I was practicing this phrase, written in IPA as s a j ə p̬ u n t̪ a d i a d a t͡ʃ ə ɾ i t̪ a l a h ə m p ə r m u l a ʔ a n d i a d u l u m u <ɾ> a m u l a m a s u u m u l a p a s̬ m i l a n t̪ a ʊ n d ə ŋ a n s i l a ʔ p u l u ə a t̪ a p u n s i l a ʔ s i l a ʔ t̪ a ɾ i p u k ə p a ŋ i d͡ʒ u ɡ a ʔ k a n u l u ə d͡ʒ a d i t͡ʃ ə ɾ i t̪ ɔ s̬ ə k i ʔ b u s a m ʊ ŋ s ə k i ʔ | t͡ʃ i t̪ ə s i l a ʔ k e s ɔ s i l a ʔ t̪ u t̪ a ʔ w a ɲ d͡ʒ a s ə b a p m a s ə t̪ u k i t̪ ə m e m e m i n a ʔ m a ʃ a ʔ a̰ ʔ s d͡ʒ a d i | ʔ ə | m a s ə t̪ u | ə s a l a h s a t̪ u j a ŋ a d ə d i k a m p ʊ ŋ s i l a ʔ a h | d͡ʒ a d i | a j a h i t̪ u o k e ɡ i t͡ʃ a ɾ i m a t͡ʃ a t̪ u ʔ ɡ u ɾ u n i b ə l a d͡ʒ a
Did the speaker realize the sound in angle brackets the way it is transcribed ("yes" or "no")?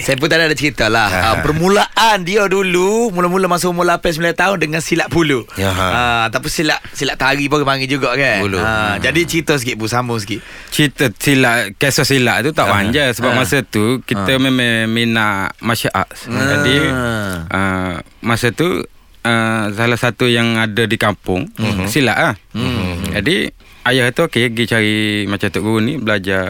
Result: no